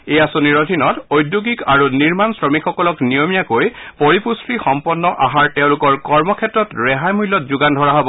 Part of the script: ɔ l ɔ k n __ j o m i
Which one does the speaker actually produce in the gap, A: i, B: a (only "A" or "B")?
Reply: A